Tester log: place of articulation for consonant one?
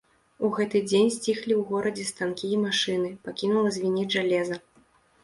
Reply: velar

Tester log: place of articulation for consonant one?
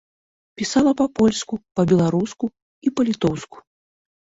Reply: labial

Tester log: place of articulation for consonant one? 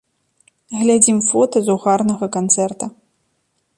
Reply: velar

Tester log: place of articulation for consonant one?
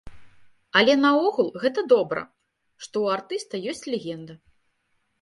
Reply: alveolar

